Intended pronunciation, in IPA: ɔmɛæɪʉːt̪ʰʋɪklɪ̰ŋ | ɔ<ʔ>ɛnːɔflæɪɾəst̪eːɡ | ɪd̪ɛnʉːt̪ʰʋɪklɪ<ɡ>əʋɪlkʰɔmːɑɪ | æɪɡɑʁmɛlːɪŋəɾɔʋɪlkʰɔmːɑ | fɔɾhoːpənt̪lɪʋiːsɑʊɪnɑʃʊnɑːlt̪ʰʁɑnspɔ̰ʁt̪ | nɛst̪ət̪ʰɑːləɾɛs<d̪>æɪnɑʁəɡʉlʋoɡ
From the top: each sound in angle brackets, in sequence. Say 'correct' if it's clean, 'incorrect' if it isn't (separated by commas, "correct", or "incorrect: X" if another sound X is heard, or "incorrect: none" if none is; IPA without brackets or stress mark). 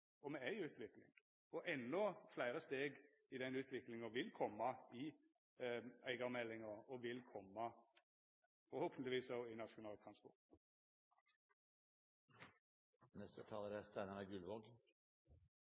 correct, incorrect: ŋ, incorrect: t̪